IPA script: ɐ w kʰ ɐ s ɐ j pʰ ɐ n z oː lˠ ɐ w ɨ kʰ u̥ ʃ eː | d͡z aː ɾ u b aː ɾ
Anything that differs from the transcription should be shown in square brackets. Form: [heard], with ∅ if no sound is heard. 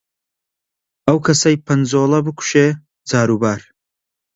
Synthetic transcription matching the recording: ɐ w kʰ ɐ s ɐ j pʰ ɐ n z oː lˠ ɐ [b] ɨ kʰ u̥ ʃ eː | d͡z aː ɾ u b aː ɾ